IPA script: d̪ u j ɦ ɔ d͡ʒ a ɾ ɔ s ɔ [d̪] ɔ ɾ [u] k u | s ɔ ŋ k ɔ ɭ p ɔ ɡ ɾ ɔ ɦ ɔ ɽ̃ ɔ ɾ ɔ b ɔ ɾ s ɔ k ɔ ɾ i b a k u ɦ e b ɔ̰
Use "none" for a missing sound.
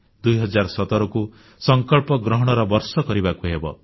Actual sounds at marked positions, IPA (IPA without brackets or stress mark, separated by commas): t̪, ɔ